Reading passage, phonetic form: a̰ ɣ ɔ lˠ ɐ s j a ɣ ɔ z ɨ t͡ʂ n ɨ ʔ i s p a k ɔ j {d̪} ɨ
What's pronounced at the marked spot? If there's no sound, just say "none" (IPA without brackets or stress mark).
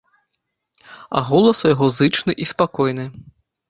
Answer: n̪